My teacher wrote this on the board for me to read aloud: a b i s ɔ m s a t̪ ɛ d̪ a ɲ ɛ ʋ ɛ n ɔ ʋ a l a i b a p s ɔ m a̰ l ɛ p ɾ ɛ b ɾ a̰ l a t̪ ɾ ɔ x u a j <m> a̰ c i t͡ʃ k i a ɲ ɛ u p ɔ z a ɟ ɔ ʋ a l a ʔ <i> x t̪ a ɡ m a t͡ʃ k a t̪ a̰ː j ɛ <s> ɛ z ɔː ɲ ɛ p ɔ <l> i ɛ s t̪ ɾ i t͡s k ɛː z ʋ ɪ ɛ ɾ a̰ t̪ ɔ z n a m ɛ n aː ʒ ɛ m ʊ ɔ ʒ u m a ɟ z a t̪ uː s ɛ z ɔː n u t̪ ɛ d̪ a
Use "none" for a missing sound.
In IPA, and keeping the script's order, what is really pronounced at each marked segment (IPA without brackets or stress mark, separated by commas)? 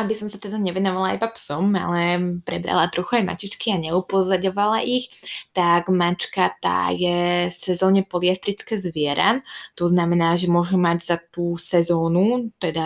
m, i, s, l